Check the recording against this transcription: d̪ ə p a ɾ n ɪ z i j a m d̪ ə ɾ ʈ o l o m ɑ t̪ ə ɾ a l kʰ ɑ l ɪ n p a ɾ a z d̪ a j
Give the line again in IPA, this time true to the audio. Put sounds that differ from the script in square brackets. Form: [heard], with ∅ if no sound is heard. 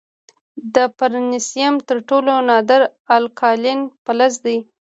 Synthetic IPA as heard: d̪ ə p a ɾ n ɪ [s] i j a m [t̪] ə ɾ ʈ o l o [n] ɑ [d̪] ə ɾ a l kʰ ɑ l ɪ n p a [l] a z d̪ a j